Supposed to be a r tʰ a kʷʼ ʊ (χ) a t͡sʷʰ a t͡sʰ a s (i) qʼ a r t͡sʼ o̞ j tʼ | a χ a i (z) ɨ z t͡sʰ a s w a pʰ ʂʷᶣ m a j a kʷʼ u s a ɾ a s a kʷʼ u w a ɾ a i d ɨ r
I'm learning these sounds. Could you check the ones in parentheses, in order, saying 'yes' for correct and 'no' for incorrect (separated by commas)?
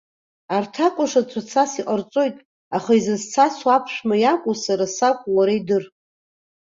no, yes, yes